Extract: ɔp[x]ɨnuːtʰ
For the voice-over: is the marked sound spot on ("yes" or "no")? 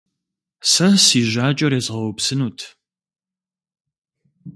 no